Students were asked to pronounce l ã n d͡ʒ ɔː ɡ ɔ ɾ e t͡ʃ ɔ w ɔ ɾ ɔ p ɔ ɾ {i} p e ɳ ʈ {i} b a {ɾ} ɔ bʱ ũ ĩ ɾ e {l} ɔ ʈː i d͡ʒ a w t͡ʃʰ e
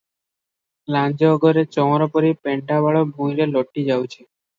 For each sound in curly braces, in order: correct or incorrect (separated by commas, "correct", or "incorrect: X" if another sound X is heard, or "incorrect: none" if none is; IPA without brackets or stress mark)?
correct, incorrect: a, incorrect: ɭ, correct